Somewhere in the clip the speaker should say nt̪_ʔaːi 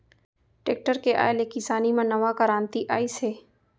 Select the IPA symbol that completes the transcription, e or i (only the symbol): i